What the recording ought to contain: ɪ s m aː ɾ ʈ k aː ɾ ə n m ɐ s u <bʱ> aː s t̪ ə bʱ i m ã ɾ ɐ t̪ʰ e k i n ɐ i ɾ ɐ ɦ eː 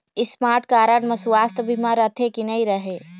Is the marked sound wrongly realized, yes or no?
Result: yes